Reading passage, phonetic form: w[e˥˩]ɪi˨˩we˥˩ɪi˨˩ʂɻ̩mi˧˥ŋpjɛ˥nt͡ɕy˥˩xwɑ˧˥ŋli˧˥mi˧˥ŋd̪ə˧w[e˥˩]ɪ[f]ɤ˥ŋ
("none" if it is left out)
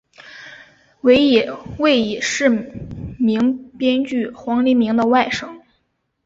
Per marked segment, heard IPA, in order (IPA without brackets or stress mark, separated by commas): e˧˥, a˥˩, ʂ